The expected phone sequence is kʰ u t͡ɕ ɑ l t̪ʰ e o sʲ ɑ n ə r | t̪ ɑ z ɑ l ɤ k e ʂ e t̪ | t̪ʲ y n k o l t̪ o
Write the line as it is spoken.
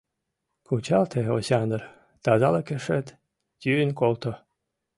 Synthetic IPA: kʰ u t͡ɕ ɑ l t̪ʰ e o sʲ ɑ n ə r | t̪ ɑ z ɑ l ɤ k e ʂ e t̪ | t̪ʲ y n k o l t̪ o